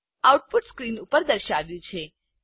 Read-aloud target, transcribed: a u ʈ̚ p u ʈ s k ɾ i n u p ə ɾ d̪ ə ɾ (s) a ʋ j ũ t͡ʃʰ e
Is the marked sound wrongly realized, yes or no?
yes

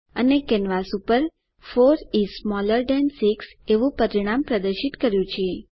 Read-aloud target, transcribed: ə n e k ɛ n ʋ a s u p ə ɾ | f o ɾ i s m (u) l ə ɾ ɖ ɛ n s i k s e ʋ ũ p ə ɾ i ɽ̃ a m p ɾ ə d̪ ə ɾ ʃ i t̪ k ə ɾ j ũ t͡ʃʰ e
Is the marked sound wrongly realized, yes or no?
yes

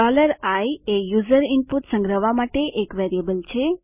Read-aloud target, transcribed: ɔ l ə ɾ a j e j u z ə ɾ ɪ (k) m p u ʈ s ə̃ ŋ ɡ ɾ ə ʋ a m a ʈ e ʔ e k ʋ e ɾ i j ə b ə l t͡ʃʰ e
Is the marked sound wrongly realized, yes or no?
yes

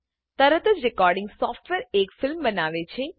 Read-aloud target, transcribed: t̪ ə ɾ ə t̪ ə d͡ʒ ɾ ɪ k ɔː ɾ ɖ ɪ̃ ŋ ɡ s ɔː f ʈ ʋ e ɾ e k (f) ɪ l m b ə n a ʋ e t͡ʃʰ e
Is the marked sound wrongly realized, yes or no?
no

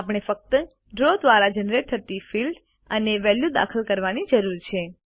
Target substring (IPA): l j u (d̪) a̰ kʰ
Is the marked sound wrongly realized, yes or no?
no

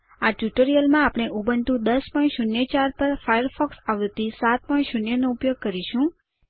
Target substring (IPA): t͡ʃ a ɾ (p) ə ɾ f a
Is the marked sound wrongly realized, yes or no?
no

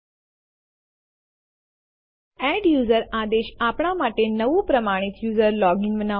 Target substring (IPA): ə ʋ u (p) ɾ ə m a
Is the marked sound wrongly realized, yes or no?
no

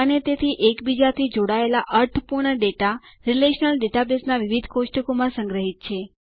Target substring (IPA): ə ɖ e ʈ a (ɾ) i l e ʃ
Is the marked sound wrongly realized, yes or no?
no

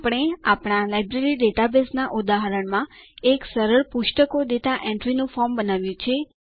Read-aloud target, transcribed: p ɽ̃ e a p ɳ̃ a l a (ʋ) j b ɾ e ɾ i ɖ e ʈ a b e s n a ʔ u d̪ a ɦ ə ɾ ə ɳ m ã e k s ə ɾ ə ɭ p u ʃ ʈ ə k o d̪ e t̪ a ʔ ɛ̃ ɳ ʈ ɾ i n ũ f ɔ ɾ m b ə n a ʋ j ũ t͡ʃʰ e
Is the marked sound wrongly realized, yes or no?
yes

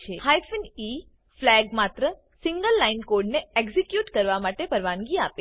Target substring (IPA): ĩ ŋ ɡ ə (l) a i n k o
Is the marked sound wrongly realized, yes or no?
yes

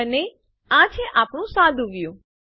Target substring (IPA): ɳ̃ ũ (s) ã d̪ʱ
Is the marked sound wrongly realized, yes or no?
no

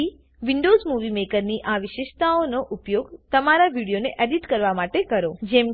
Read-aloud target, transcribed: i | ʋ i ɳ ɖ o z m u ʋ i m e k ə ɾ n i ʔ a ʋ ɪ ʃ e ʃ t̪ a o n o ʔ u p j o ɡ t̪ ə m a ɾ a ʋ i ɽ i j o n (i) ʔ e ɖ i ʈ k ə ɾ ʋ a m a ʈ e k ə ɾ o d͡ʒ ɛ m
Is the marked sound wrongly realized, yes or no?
yes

